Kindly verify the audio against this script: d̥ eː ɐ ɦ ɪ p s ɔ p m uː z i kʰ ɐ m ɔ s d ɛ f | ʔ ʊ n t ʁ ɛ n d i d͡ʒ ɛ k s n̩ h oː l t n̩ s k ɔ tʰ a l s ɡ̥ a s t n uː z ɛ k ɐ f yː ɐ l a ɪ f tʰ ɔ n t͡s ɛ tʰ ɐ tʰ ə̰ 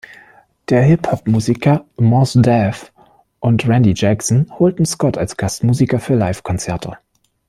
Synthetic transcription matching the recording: d̥ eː ɐ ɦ ɪ p h ɔ p m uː z i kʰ ɐ m ɔ s d ɛ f | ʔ ʊ n t ʁ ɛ n d i d͡ʒ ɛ k s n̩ h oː l t n̩ s k ɔ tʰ a l s ɡ̥ a s t m uː z i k ɐ f yː ɐ l a ɪ f kʰ ɔ n t͡s ɛ ɐ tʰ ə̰

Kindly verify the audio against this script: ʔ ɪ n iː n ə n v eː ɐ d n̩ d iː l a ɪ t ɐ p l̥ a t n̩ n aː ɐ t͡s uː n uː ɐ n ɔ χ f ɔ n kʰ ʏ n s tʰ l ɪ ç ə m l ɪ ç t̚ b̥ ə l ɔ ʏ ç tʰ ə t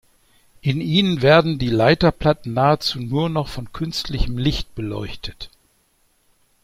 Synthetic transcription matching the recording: ʔ ɪ n iː n ə n v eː ɐ d n̩ d iː l a ɪ t ɐ p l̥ a t n̩ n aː ə t͡s uː n uː ɐ n ɔ χ f ɔ n kʰ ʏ n s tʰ l ɪ ç ə m l ɪ ç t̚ b̥ ə l ɔ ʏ ç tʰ ə t

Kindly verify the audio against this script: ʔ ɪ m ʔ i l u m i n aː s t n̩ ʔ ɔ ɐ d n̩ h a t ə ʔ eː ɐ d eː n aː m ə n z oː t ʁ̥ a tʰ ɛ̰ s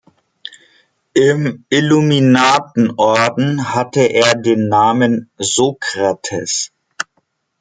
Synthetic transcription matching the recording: ʔ ɪ m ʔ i l u m i n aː t n̩ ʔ ɔ ɐ d n̩ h a t ə ʔ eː ɐ d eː nː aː m ə n z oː k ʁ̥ a tʰ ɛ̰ s

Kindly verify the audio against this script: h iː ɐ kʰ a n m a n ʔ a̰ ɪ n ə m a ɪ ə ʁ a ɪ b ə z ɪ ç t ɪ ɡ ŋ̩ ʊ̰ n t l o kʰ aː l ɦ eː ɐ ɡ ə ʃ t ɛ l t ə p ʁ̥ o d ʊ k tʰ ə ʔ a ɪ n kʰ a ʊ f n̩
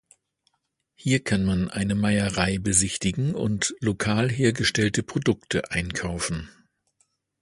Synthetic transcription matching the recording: h iː ɐ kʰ a n m a n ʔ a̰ ɪ n ə m a ɪ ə ʁ a ɪ b ə z ɪ ç t ɪ ɡ ŋ̩ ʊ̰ n t l o kʰ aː l ɦ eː ɐ ɡ ə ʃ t ɛ l t ə p ʁ̥ o d ʊ k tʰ ə ʔ a ɪ n kʰ a ʊ f n̩

